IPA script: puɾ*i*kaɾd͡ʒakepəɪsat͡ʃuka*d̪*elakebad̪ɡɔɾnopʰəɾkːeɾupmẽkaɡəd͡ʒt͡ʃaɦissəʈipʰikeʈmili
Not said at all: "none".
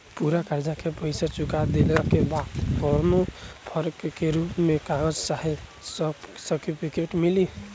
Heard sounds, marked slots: a, d̪

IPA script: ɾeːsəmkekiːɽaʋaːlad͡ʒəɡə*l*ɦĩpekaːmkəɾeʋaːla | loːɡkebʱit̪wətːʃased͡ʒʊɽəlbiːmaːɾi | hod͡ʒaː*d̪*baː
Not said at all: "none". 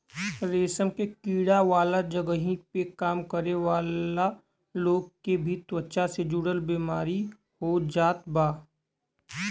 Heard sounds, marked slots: none, t̪

